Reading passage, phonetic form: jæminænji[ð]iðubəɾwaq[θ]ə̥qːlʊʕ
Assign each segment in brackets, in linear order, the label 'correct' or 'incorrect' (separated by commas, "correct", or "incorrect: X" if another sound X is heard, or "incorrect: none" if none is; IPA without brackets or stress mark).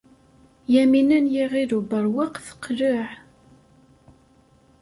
incorrect: ʁ, correct